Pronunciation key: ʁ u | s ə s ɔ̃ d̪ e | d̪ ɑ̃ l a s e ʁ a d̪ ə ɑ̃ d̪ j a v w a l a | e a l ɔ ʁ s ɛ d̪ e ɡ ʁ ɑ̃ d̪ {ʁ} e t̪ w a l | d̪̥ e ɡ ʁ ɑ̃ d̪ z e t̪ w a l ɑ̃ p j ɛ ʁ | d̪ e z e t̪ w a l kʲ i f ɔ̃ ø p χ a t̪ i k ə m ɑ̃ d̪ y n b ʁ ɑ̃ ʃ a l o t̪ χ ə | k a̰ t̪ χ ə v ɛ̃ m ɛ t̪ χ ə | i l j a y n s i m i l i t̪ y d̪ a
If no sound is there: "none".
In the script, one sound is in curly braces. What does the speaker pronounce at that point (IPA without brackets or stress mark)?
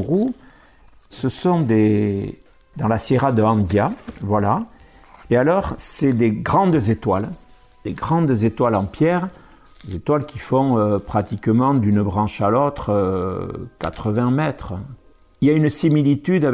z